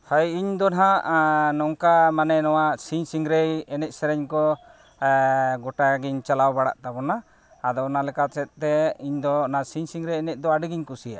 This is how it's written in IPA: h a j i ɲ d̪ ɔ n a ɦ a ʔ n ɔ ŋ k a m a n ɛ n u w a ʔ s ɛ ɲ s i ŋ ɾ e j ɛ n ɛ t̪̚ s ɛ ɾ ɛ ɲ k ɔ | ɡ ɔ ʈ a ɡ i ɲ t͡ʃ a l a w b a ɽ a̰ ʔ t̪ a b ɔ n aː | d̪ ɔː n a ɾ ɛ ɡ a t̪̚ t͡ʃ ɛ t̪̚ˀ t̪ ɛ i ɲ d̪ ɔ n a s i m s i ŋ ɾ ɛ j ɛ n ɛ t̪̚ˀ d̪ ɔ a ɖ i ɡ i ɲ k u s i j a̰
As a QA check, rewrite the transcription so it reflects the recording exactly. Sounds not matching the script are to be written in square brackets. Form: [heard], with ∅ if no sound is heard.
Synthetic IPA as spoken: h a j i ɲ d̪ ɔ n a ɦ a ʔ n ɔ ŋ k a m a n ɛ n [ɔ] w a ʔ s [i] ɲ s i ŋ ɾ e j ɛ n ɛ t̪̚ s ɛ ɾ ɛ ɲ k ɔ | ɡ ɔ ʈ a ɡ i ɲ t͡ʃ a l a w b a ɽ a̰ ʔ t̪ a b ɔ n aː | d̪ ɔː n a [l] ɛ [k] a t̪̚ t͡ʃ ɛ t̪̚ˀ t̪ ɛ i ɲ d̪ ɔ n a s i [ɲ] s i ŋ ɾ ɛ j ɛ n ɛ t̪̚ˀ d̪ ɔ a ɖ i ɡ i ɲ k u s i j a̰